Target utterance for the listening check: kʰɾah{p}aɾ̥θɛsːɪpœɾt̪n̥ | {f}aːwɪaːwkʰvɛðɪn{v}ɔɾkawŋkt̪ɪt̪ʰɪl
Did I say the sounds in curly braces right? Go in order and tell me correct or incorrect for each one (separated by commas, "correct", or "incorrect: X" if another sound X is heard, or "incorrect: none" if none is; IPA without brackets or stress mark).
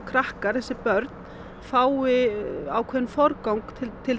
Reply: incorrect: k, correct, incorrect: f